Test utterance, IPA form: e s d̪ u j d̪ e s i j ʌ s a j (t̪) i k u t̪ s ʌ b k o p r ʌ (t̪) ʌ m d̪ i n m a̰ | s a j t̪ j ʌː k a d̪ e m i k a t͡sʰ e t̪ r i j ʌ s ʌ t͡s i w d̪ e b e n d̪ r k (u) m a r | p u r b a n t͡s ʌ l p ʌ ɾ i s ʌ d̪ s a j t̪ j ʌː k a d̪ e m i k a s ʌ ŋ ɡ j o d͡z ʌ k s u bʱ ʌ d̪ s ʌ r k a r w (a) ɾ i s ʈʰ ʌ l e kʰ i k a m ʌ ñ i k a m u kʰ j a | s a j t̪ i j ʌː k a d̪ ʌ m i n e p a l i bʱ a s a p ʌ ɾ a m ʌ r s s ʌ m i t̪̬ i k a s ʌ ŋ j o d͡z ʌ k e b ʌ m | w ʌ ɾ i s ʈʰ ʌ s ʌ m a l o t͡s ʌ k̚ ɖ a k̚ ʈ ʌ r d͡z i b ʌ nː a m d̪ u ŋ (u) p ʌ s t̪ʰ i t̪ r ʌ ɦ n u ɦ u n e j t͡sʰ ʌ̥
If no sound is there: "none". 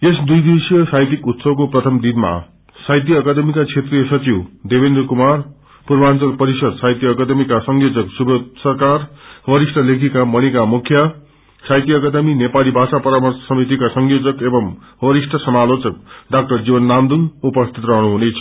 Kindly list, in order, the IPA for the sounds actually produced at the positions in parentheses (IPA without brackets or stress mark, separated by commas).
t̪, t̪ʰ, u, ʌ, u